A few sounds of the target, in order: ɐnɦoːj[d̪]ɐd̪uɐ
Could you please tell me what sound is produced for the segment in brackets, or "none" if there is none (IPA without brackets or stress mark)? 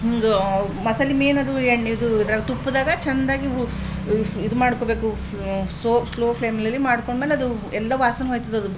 t̪